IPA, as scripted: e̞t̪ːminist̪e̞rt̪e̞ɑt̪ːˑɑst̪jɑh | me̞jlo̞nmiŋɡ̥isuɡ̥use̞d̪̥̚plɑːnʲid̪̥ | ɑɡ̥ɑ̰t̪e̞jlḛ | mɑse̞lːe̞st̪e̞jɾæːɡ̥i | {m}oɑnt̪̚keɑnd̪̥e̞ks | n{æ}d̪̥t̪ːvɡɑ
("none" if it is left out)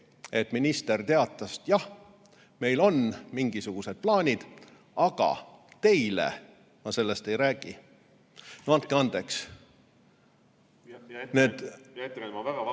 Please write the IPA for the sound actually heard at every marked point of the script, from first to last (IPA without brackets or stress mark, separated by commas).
n, e